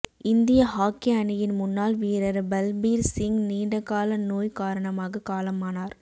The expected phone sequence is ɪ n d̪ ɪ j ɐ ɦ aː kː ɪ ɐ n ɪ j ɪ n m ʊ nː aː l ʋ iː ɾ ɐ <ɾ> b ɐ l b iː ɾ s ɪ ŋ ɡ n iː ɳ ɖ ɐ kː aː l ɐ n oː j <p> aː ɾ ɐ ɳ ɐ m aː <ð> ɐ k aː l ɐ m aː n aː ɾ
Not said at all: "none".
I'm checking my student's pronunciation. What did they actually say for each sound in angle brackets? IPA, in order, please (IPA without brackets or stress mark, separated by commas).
ɾ, k, ɣ